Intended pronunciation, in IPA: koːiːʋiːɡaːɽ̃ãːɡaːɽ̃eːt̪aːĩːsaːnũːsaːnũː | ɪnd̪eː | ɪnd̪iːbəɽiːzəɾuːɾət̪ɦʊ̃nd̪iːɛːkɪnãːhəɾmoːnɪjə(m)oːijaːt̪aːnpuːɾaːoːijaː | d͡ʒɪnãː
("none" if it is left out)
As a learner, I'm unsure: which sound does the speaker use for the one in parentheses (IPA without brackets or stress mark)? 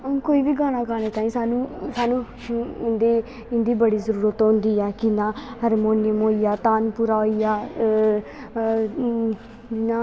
m